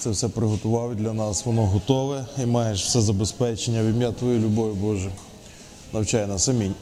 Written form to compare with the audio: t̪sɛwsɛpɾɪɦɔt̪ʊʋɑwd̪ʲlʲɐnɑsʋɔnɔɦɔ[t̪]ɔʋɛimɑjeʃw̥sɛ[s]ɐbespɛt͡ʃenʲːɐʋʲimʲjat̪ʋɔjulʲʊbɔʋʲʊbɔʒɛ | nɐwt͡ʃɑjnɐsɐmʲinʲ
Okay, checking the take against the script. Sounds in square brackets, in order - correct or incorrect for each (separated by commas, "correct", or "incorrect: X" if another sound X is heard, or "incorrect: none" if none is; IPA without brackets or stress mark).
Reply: correct, incorrect: z